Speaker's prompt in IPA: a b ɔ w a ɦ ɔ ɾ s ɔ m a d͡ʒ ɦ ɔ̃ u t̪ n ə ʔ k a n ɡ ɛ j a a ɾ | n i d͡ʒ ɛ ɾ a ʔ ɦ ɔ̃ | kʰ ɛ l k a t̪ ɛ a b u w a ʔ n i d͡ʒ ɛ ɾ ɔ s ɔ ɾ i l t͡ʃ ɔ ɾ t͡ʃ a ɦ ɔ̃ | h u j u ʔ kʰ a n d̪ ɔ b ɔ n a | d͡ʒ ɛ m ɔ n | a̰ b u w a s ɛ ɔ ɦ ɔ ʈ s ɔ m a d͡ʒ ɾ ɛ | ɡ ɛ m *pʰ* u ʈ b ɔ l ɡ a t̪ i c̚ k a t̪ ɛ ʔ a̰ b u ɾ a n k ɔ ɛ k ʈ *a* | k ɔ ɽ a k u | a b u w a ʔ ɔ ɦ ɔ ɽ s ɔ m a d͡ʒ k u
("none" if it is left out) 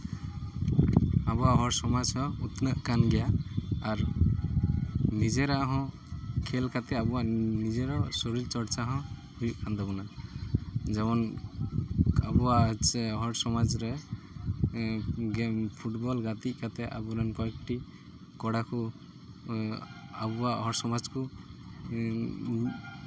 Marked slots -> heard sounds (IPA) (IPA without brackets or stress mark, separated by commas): pʰ, i